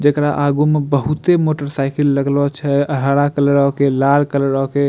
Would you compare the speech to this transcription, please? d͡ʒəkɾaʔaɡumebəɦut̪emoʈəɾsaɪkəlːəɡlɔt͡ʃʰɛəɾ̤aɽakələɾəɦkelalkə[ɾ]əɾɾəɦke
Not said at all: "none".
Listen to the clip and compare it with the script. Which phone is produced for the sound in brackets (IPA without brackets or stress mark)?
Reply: l